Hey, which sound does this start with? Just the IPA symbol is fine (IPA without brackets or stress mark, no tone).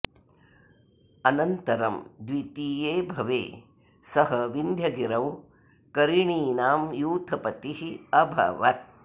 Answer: ɐ